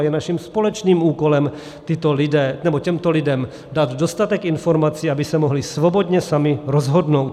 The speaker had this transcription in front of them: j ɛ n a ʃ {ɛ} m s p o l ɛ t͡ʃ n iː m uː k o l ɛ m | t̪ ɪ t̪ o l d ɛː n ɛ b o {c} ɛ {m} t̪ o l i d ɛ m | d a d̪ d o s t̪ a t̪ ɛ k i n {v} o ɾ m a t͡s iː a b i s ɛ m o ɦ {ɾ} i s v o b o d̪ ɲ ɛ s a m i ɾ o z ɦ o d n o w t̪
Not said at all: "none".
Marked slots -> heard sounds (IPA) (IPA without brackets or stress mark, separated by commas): i, c, m, f, l